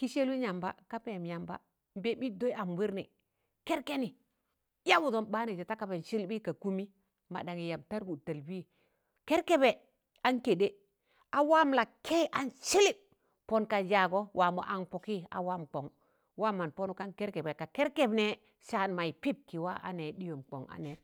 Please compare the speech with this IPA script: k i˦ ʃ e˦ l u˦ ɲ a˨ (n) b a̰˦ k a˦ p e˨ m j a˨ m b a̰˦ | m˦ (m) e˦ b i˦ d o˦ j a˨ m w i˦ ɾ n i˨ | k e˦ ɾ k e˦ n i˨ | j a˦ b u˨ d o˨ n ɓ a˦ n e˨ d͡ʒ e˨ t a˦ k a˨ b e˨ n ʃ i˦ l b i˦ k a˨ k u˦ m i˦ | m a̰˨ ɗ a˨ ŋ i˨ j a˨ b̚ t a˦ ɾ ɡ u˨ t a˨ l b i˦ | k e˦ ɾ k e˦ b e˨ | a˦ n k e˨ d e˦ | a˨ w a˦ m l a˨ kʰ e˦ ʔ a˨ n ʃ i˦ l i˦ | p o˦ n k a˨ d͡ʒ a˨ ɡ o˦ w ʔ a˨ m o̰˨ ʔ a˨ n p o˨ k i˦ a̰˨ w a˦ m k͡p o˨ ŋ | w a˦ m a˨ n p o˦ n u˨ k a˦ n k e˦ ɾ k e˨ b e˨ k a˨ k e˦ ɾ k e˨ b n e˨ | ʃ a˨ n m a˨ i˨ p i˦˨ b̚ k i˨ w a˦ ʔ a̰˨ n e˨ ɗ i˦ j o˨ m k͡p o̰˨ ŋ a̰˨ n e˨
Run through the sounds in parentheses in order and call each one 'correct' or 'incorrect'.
incorrect: m, incorrect: b

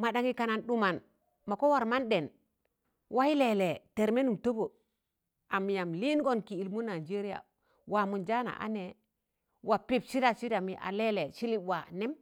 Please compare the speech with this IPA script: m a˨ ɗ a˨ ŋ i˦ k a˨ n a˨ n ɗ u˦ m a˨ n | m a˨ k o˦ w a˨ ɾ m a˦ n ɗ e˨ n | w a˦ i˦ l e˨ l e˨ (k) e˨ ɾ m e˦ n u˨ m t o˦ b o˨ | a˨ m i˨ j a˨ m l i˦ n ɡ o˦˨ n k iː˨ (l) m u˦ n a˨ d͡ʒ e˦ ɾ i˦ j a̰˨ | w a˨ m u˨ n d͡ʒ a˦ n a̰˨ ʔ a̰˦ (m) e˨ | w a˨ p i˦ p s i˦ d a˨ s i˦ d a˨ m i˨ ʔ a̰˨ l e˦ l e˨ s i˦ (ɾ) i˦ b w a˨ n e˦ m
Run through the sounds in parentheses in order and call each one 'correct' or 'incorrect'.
incorrect: t, correct, incorrect: n, incorrect: l

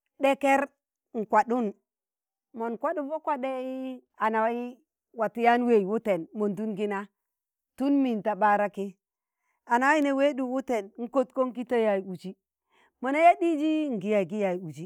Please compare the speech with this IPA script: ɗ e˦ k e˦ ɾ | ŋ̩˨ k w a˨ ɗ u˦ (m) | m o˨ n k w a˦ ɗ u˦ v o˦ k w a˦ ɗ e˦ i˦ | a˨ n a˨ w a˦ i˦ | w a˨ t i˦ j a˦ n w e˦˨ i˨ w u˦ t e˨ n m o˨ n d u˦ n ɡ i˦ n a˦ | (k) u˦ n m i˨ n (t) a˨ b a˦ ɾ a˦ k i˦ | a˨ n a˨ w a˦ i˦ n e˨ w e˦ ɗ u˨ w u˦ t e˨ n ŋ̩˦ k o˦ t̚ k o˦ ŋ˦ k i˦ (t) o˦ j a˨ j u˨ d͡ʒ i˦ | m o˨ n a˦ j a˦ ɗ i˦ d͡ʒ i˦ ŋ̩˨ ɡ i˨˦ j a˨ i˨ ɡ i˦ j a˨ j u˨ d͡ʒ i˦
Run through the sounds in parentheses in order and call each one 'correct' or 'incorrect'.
incorrect: n, incorrect: t, correct, correct

